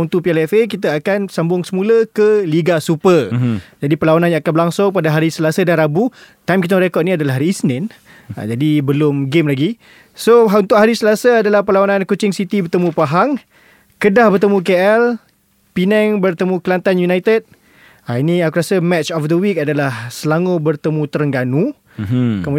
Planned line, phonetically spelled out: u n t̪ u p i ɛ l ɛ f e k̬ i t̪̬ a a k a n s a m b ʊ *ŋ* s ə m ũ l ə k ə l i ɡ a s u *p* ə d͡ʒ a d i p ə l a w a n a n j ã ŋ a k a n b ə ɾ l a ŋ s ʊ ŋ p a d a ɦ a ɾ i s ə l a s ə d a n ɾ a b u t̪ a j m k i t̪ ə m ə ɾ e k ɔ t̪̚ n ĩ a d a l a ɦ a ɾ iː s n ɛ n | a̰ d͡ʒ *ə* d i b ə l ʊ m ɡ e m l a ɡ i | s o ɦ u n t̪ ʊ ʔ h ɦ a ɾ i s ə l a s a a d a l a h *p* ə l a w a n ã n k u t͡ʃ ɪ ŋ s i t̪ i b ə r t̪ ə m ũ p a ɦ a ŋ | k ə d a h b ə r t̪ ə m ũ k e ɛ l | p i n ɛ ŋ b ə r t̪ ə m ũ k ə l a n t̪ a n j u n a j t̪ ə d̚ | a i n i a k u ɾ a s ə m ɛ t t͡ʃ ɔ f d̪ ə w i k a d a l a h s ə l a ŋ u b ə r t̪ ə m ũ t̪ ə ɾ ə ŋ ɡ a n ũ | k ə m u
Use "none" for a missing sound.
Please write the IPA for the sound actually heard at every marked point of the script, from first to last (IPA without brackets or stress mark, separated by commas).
ŋ, p, a, p